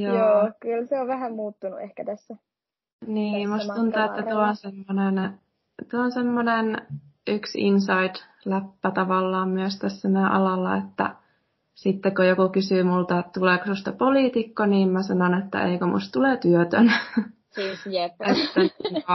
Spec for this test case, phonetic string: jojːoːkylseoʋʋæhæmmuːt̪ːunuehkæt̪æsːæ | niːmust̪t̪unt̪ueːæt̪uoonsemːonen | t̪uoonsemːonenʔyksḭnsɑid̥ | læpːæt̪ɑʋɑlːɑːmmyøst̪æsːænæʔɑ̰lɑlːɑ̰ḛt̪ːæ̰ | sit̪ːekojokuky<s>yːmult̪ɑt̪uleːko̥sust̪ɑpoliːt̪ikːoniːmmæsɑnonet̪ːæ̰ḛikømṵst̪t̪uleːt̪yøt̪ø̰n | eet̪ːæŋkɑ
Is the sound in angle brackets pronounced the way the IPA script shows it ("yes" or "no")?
yes